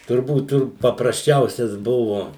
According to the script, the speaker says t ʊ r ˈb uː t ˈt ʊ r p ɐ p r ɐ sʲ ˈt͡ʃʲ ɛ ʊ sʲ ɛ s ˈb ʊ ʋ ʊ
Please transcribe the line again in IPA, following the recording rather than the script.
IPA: t ʊ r ˈb uː t ˈt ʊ r p ɐ p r ɐ sʲ ˈt͡ʃʲ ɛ ʊ sʲ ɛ s ˈb ʊ ʋ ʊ